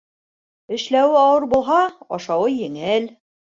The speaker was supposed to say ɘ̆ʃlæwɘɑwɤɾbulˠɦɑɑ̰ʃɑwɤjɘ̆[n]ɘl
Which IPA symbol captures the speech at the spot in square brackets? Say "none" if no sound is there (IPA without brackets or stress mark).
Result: ŋ